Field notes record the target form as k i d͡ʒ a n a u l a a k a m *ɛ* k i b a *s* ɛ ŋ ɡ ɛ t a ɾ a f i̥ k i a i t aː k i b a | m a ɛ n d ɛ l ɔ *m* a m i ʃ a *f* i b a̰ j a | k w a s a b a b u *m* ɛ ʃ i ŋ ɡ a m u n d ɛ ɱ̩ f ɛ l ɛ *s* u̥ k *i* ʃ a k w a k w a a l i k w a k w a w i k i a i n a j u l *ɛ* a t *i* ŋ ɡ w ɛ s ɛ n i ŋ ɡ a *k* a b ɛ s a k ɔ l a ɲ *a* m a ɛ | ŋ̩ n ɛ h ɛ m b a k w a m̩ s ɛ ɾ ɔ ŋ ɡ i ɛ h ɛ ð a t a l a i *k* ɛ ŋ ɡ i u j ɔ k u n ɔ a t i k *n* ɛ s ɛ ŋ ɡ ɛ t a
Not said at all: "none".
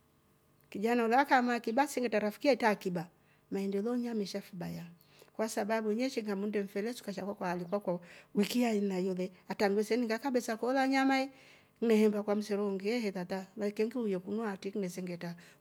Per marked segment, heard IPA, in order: a, s, ɲ, f, ɲ, s, a, ɛ, a, k, a, k, n

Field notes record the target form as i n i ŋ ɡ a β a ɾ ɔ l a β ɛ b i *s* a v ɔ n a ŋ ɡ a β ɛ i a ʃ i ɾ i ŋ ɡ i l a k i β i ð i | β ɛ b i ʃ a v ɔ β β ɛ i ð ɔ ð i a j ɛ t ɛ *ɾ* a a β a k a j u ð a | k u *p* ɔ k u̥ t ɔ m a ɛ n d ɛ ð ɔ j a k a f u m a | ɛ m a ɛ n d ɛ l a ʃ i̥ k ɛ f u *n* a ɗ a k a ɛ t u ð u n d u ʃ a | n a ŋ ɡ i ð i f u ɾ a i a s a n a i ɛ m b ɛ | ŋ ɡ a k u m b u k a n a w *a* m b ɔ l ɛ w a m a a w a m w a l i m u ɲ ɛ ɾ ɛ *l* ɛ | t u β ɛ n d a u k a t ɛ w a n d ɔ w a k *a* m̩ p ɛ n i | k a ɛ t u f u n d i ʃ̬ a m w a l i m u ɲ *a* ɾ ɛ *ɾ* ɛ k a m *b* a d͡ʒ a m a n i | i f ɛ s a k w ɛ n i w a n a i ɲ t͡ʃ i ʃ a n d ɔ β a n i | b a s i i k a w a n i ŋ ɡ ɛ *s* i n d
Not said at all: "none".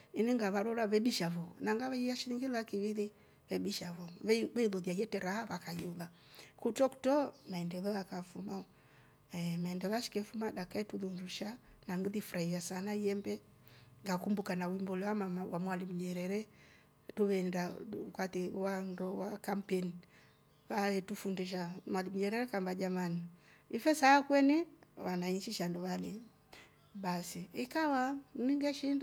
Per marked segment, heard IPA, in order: ʃ, ɾ, t, m, i, ɾ, a, ɛ, ɾ, b, ʃ

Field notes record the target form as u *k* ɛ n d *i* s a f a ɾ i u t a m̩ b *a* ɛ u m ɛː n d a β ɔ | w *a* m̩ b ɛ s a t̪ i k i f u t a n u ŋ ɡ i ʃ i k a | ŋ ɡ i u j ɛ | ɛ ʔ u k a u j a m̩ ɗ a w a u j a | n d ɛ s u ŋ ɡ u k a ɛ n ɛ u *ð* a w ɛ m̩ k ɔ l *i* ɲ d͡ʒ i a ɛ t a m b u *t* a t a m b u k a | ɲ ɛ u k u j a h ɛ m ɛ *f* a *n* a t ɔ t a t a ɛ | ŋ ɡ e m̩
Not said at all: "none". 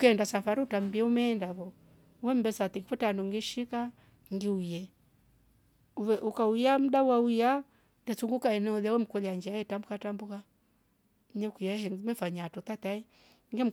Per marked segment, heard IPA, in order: k, a, i, ɛ, ð, a, k, f, ɲ

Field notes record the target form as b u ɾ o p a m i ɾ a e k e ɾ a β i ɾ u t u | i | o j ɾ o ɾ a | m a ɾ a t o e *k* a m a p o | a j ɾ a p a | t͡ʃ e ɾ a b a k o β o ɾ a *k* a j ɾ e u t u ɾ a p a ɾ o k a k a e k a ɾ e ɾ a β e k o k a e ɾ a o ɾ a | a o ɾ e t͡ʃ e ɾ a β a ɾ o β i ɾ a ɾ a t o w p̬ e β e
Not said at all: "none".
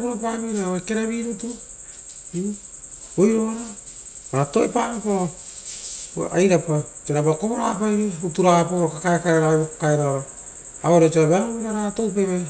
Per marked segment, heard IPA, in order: p, p

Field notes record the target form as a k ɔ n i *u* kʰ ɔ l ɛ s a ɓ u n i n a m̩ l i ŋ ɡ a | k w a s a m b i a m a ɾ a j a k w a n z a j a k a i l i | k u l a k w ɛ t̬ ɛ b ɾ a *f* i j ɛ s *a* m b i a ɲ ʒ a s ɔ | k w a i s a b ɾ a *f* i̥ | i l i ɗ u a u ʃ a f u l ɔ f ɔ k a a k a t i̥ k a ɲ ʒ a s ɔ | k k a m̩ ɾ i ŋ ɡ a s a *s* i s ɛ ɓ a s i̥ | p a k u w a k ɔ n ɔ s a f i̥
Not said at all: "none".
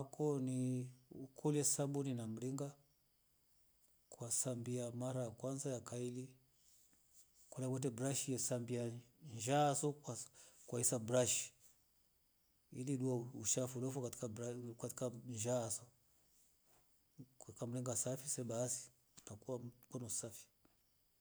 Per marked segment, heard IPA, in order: u, ʃ, a, ʃ, f

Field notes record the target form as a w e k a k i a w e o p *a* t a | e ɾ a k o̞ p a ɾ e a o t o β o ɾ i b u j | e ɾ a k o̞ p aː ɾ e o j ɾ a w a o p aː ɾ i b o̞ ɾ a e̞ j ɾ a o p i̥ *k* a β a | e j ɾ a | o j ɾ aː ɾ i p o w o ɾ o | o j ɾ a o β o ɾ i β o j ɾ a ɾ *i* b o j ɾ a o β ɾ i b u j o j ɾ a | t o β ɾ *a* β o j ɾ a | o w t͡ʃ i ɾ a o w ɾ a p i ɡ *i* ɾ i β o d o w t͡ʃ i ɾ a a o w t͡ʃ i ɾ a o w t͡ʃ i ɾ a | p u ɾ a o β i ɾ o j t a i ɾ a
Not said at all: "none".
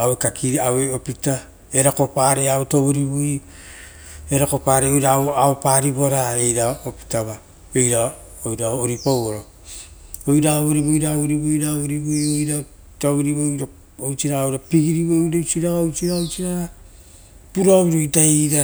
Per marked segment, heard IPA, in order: i, t, i, i, i

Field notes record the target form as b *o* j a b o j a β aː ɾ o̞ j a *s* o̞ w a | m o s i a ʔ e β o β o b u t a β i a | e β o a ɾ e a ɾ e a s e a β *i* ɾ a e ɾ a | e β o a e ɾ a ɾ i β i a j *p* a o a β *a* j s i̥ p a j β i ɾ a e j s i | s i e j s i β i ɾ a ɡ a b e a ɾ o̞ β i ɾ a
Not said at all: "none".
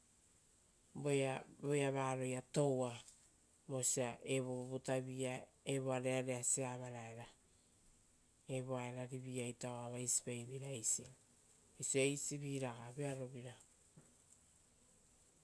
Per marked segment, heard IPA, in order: o, t, a, t, a

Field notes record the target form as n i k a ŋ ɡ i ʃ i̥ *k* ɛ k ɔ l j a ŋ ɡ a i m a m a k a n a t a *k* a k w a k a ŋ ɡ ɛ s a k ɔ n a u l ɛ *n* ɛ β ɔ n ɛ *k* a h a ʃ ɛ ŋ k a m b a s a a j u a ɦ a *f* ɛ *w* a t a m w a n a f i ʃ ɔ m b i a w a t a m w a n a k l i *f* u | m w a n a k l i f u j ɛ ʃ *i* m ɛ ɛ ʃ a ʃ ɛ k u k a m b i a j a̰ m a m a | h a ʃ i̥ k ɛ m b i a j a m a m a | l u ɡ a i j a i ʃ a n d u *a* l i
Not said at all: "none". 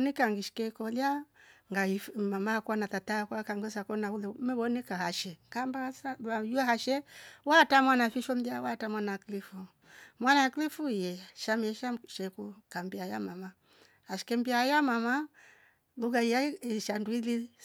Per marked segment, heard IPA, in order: k, t, m, k, ʃ, w, f, a, i

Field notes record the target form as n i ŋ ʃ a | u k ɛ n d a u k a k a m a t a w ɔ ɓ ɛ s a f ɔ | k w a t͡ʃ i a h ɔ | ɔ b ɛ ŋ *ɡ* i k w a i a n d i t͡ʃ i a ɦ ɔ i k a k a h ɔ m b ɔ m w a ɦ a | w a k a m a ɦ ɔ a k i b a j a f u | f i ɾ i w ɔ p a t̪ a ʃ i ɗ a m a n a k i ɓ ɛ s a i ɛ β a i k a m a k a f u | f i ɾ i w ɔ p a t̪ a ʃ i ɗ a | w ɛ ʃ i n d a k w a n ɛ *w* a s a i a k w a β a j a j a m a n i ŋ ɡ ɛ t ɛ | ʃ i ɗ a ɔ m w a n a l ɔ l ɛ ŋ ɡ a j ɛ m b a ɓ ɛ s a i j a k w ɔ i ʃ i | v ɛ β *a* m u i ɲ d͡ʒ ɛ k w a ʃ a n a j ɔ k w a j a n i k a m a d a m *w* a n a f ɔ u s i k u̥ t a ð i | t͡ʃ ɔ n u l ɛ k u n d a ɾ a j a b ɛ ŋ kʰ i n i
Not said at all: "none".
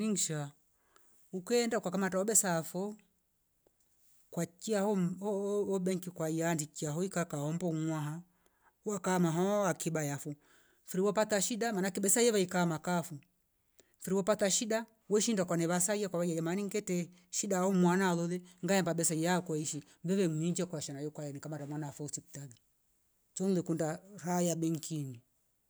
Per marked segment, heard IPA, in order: k, β, ɛ, w

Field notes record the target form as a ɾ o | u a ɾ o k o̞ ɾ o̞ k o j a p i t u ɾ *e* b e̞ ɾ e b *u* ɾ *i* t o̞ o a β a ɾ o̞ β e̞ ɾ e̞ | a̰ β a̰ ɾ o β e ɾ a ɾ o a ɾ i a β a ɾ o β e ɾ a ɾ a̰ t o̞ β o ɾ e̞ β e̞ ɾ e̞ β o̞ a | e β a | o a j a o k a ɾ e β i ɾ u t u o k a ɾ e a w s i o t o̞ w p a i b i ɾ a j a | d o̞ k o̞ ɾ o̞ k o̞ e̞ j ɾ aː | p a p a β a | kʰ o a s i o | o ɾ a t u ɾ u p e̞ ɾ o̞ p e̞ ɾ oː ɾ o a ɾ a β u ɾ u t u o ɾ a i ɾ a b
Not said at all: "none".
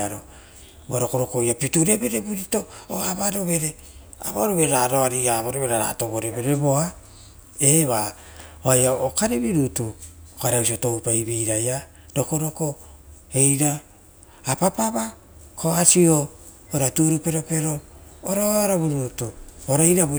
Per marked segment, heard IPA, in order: e, u, i

